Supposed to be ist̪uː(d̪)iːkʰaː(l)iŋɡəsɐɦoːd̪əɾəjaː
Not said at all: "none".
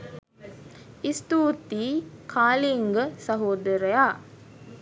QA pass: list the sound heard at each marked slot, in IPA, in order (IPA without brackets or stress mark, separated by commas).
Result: t̪, l